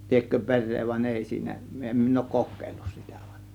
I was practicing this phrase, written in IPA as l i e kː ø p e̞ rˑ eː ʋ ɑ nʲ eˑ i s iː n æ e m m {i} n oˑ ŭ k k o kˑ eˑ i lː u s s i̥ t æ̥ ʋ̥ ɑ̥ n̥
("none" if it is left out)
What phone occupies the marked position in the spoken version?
i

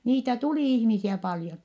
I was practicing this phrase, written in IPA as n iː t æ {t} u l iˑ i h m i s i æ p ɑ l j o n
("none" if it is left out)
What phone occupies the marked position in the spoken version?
t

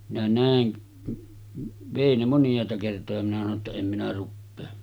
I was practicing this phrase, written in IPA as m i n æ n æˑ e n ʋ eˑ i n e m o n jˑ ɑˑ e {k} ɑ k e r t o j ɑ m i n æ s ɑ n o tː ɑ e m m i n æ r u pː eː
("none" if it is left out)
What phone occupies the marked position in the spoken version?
t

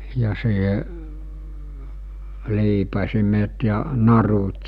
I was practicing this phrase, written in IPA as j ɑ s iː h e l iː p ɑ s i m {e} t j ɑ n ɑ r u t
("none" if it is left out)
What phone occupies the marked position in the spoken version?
e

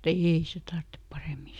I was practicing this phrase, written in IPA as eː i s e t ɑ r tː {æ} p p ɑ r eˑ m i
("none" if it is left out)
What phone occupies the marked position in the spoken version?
e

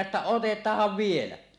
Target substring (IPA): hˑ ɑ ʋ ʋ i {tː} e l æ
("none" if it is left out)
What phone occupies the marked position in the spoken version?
none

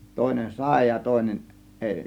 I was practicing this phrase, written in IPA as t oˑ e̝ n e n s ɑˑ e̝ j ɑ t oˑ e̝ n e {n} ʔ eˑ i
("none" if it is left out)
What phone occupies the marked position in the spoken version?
n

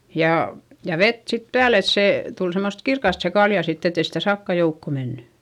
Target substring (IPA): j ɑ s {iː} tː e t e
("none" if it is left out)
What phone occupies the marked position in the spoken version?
i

